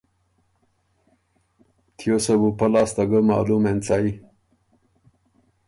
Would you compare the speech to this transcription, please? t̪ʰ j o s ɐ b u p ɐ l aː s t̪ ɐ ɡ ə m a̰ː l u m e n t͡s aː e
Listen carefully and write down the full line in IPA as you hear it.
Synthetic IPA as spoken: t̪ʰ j o s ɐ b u p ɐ l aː s t̪ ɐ ɡ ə m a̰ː l u m e n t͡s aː i